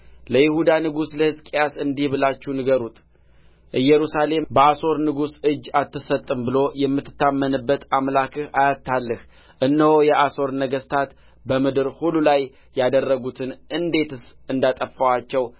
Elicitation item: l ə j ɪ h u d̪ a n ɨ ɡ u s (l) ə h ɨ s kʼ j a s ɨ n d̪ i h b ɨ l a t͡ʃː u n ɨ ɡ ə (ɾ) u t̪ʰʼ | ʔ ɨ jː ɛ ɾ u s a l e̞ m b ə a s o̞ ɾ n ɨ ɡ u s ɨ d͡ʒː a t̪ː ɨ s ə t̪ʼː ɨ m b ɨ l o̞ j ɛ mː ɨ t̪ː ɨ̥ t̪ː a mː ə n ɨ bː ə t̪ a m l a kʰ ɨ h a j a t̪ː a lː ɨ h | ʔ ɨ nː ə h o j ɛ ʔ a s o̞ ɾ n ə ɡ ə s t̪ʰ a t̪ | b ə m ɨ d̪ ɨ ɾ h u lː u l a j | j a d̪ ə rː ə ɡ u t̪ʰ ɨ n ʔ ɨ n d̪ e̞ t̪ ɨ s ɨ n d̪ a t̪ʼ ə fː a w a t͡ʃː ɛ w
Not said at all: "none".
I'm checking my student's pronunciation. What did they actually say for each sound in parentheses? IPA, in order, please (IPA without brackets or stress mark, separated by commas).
l, ɾ